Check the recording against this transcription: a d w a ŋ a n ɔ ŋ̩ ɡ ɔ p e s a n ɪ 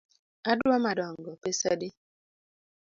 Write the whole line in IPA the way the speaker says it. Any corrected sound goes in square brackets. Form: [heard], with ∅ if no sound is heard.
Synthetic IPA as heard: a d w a [m] a [d] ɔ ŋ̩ ɡ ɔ p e s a [d] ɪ